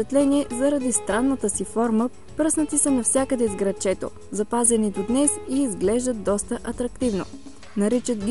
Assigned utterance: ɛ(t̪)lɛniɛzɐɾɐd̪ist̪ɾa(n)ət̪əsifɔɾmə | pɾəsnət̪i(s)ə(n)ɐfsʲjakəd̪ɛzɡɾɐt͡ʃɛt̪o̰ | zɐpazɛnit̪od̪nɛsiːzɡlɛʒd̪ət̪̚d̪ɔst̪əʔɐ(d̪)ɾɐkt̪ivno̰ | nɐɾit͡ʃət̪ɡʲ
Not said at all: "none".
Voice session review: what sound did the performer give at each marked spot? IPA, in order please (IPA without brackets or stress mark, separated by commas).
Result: t̪, nː, s, n, t̪